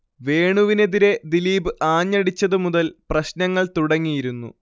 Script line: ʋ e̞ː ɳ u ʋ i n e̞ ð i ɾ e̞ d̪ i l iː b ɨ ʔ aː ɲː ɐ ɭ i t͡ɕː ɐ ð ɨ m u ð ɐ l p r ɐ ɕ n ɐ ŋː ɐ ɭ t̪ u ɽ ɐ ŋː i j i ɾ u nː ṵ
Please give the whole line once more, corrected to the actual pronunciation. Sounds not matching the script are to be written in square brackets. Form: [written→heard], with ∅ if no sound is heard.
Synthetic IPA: ʋ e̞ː ɳ u ʋ i n e̞ ð i ɾ e̞ d̪ i l iː b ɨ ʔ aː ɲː ɐ [ɭ→ɽ] i t͡ɕː ɐ ð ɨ m u ð ɐ l p r ɐ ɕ n ɐ ŋː ɐ ɭ t̪ u ɽ ɐ ŋː i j i ɾ u nː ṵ